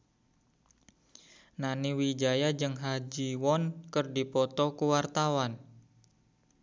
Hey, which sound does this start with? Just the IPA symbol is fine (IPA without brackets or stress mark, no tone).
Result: n